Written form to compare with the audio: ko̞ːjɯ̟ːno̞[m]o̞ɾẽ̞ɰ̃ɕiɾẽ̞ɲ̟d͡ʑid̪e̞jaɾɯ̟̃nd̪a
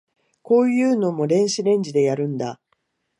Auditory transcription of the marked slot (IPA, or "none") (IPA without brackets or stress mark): m